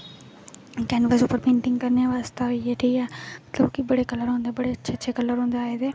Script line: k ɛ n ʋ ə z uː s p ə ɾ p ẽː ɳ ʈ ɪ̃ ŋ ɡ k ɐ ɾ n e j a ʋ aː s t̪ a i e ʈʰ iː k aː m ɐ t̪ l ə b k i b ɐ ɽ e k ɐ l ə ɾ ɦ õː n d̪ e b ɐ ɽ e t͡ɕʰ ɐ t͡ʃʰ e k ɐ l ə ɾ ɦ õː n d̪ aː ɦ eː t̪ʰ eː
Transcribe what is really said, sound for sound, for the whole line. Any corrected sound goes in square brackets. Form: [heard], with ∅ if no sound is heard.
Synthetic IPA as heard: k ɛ n ʋ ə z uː [∅] p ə ɾ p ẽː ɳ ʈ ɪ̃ ŋ ɡ k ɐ ɾ n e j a ʋ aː s t̪ a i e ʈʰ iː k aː m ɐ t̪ l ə b k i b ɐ ɽ e k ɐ l ə ɾ ɦ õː n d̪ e b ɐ ɽ e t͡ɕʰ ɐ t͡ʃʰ e k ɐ l ə ɾ ɦ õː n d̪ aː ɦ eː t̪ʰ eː